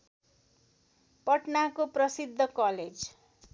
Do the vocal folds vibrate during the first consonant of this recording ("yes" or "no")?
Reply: no